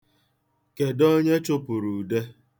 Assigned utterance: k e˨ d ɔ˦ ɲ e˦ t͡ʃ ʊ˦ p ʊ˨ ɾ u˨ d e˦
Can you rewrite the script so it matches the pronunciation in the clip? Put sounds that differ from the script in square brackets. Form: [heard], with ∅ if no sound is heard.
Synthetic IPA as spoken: k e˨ d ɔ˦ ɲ e˦ t͡ʃ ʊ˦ p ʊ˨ ɾ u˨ d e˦